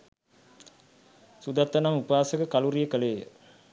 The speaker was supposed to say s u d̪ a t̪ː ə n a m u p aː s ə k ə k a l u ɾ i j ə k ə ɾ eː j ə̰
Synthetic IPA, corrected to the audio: s u d̪ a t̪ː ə n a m u p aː s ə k ə k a l u ɾ i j ə k ə l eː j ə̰